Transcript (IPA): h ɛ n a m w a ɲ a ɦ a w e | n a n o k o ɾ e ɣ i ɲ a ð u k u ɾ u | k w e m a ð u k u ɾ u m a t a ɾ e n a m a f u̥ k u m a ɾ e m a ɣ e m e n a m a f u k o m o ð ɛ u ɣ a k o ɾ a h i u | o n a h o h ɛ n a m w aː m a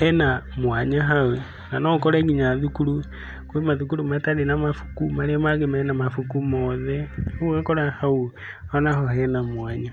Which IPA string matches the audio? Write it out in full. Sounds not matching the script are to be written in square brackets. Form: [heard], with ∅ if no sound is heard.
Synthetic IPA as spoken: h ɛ n a m w a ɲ a ɦ a w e | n a n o k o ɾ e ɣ i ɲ a ð u k u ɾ u | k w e m a ð u k u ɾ u m a t a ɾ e n a m a f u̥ k u m a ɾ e m a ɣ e m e n a m a f u k [u] m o ð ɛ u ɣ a k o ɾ a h [a] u | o n a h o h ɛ n a m w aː [ɲ] a